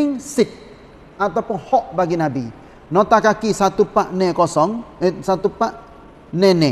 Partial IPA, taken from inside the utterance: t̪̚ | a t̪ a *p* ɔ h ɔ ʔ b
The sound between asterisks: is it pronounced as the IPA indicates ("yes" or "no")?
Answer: yes